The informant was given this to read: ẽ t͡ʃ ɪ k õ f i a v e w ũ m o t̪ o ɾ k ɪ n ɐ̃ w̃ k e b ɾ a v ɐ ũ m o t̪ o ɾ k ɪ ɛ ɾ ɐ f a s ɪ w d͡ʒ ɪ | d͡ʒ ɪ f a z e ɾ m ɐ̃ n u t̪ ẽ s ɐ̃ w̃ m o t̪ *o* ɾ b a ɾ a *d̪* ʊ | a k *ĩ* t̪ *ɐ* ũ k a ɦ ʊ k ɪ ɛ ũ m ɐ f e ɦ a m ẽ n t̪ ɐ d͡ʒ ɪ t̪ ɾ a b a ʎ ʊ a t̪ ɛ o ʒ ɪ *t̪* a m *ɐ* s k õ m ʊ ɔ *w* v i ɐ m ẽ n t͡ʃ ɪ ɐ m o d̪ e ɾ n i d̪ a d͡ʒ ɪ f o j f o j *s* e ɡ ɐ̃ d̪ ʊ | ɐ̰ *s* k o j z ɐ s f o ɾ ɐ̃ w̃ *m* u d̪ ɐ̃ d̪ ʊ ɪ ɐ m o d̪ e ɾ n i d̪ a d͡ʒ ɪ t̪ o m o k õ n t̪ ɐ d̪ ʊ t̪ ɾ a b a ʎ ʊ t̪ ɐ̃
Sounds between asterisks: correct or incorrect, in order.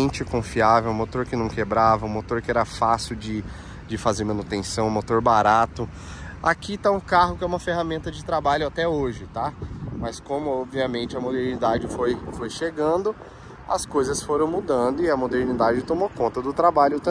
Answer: correct, incorrect, incorrect, incorrect, correct, correct, incorrect, incorrect, correct, correct

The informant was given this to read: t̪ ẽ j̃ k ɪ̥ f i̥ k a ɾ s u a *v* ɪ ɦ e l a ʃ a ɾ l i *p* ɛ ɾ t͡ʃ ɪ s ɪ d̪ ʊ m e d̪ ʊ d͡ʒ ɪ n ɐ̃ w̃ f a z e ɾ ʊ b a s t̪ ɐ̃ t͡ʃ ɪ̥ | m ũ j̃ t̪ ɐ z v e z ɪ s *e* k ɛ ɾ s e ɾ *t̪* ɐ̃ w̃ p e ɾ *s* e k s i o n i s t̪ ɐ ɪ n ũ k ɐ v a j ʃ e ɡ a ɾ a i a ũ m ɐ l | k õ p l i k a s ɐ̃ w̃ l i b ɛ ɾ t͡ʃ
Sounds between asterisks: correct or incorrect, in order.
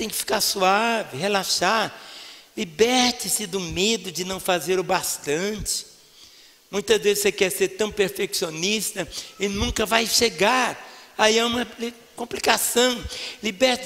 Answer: correct, incorrect, correct, correct, incorrect

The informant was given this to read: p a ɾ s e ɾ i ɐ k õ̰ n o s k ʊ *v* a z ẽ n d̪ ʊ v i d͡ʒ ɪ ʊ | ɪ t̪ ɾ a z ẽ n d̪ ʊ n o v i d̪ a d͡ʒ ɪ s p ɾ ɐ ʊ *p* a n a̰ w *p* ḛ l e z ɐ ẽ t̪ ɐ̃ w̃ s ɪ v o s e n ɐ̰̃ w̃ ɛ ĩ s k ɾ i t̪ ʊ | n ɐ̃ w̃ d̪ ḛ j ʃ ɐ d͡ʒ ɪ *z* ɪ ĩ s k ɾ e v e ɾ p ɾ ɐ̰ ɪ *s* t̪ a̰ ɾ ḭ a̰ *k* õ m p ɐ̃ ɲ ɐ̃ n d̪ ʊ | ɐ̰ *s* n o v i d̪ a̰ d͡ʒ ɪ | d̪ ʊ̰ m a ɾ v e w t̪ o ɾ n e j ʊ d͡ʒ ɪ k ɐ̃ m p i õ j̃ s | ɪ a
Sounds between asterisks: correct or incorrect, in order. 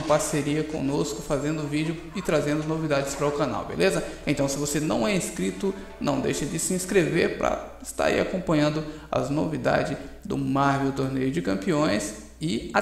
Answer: incorrect, incorrect, incorrect, incorrect, correct, correct, incorrect

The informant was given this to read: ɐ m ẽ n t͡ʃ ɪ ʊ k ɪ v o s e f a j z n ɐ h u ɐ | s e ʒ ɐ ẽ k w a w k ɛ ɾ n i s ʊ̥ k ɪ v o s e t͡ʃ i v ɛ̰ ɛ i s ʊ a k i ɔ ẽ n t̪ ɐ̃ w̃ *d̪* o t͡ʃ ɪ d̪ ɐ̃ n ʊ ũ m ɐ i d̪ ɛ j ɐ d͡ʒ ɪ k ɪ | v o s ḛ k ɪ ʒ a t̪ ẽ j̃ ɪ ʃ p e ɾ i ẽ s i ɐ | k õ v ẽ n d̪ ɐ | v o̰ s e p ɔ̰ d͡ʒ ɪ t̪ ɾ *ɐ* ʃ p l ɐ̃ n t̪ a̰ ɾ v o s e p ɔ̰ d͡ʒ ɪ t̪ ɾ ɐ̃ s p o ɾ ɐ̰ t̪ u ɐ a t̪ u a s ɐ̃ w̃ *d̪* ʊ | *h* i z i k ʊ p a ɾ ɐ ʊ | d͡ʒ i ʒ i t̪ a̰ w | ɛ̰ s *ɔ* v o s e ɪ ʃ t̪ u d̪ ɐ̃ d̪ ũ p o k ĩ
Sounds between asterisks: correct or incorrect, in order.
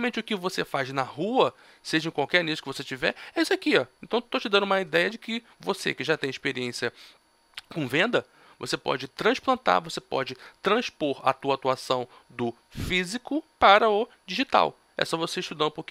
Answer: incorrect, incorrect, correct, incorrect, correct

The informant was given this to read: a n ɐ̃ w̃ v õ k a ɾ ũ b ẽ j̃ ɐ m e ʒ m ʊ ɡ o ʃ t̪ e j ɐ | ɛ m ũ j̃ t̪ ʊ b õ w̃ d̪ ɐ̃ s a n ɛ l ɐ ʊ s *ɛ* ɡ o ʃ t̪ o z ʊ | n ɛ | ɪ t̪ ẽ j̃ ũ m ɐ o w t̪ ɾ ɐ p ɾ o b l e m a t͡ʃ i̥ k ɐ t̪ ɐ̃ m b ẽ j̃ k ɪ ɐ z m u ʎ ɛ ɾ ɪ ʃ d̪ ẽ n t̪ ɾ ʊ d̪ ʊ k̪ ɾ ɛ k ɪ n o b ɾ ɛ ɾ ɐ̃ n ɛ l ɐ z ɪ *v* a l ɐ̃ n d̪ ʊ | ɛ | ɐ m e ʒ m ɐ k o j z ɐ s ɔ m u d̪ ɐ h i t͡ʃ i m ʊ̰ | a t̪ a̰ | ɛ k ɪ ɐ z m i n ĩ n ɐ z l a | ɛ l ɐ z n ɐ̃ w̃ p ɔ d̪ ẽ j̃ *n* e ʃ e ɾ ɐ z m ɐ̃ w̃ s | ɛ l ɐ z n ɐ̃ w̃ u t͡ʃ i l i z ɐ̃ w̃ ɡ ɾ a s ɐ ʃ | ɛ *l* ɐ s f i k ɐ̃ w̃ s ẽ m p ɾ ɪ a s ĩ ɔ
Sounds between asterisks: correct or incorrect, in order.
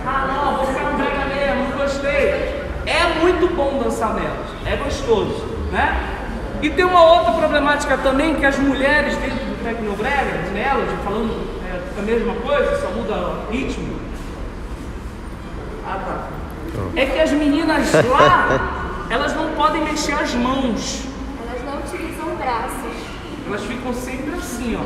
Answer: correct, incorrect, incorrect, correct

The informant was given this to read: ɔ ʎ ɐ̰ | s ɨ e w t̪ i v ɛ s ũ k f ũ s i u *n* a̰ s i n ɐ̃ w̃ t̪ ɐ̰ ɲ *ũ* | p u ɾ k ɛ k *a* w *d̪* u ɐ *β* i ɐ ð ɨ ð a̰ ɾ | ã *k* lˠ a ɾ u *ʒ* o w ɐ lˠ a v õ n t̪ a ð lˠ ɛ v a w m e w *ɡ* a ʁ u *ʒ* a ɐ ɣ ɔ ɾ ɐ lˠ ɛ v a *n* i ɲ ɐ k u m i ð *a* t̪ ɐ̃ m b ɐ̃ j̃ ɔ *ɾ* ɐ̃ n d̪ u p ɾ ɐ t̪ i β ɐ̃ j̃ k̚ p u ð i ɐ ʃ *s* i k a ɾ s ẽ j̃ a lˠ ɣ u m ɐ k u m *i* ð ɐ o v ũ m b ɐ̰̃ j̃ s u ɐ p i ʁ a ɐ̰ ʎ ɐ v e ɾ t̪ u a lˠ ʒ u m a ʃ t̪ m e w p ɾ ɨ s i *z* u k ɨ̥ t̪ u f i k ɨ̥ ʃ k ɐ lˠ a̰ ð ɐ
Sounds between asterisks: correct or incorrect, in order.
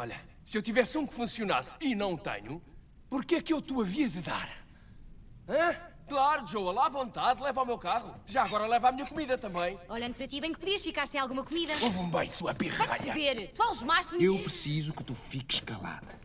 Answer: correct, incorrect, incorrect, incorrect, incorrect, correct, correct, incorrect, correct, incorrect, incorrect, incorrect, incorrect, correct, correct

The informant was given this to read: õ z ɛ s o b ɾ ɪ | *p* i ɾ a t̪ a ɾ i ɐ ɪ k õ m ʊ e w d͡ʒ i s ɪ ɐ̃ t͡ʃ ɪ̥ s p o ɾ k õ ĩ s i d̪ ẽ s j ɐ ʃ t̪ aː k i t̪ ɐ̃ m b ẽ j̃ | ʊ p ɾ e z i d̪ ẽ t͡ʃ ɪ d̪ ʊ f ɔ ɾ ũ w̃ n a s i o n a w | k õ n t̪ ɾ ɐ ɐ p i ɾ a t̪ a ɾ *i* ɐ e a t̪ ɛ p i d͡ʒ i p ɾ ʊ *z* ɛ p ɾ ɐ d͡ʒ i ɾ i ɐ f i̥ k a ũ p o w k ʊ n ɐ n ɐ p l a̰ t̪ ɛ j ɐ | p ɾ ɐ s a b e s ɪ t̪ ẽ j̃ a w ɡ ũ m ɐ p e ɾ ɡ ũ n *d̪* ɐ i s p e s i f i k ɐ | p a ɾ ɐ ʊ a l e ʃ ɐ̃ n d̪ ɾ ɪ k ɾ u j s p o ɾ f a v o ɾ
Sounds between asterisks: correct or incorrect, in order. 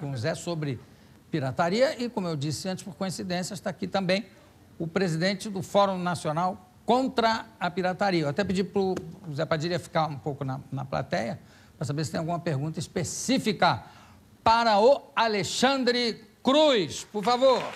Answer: correct, correct, correct, incorrect

